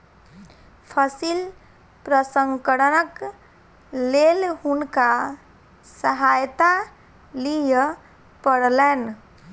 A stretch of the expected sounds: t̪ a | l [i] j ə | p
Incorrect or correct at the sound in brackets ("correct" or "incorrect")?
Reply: correct